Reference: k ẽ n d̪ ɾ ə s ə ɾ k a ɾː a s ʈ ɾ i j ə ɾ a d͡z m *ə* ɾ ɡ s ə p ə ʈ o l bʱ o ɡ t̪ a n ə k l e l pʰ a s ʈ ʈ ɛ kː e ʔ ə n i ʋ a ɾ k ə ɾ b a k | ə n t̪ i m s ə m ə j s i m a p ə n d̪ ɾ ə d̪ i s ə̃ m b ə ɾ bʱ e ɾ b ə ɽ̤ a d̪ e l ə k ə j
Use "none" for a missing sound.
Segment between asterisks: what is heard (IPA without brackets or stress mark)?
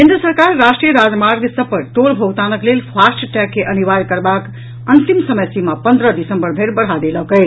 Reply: a